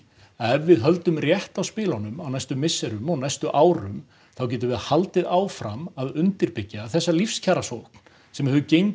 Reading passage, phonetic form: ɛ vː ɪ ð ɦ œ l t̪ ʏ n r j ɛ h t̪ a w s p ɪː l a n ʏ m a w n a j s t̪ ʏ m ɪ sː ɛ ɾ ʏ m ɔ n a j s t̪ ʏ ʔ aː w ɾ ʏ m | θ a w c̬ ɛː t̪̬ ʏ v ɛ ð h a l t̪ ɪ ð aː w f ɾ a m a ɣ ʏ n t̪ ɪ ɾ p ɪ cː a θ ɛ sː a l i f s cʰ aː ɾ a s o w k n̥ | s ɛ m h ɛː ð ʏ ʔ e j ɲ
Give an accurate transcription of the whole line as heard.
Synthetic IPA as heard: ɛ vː ɪ ð ɦ œ l t̪ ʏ m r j ɛ h t̪ a w s p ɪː l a n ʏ m a w n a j s t̪ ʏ m ɪ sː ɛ ɾ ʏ m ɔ n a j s t̪ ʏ ʔ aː w ɾ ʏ m | θ a w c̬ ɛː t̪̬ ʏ v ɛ ð h a l t̪ ɪ ð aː w f ɾ a m a ð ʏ n t̪ ɪ ɾ p ɪ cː a θ ɛ sː a l i f s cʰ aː ɾ a s o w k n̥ | s ɛ m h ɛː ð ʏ c e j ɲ